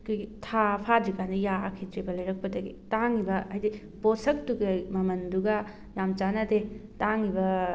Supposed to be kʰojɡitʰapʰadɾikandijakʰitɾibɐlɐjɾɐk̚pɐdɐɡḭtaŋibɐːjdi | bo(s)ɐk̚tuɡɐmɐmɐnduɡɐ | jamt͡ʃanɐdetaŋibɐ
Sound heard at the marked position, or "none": s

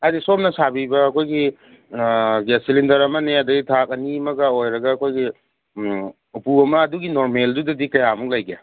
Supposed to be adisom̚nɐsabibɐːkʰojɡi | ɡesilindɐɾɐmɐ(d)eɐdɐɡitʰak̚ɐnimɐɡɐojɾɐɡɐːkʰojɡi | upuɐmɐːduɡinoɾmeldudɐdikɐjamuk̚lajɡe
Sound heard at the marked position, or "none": n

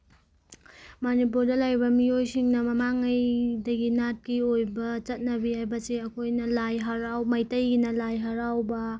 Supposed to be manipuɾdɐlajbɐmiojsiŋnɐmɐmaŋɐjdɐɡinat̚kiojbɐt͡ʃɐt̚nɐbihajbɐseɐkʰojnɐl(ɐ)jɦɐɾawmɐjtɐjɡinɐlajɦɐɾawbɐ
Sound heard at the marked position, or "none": a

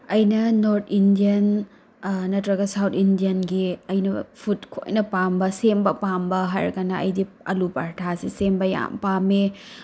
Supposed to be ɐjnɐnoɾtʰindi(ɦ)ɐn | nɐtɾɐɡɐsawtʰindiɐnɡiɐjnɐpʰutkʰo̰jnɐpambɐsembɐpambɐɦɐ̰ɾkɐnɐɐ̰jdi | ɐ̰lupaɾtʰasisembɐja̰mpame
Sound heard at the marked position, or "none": none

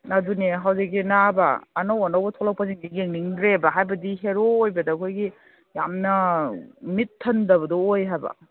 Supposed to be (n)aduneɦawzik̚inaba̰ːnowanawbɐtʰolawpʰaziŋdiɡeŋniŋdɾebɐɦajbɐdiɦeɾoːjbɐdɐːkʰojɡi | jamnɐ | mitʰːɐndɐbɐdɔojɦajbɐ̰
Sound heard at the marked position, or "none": n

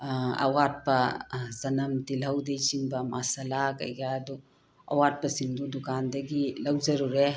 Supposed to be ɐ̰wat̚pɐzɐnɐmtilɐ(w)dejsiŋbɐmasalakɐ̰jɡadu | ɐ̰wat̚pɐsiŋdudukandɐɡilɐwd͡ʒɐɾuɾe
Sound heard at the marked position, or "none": w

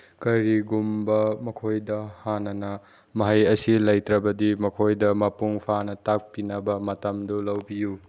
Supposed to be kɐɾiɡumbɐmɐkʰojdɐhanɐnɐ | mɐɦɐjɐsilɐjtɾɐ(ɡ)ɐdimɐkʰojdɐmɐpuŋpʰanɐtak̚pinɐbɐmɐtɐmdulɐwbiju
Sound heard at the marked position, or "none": b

